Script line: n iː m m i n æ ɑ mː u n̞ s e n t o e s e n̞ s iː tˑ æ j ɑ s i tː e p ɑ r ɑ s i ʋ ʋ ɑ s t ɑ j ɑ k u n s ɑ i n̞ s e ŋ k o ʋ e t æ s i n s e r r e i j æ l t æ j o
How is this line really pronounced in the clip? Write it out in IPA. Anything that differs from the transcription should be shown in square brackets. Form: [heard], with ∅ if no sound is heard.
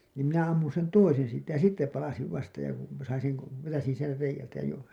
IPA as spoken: n iː m m i n æ ɑ mː u n̞ s e n t o [i] s e n̞ s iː tˑ æ j ɑ s i tː e p ɑ [l] ɑ s i ʋ ʋ ɑ s t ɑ j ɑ k u n s ɑ i n̞ s e ŋ k o ʋ e t æ s i n s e r r e i j æ l t æ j o